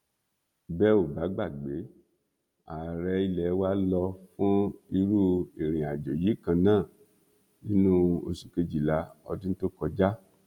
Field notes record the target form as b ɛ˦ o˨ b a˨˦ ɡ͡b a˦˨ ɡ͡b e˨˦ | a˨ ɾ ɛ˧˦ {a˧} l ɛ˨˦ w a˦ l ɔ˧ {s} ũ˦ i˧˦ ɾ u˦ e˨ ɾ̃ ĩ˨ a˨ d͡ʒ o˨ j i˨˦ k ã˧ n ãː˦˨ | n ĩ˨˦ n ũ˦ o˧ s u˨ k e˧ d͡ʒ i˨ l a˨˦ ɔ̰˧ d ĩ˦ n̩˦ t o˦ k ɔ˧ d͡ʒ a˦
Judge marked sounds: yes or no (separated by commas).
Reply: no, no